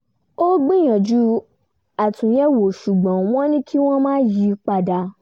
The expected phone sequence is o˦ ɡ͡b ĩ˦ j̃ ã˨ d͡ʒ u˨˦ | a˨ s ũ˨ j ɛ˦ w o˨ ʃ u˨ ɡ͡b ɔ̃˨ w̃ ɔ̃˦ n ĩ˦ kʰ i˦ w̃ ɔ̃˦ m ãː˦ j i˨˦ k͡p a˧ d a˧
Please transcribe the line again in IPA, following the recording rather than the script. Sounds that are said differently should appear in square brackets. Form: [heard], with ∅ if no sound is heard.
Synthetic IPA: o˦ ɡ͡b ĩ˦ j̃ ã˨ d͡ʒ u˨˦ | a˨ [t] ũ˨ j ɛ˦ w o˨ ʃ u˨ ɡ͡b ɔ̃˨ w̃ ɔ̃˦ n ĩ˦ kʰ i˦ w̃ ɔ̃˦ m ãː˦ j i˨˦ k͡p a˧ d a˧